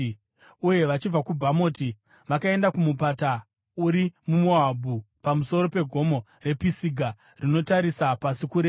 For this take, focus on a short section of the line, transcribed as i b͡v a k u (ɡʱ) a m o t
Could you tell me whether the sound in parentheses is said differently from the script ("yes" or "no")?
yes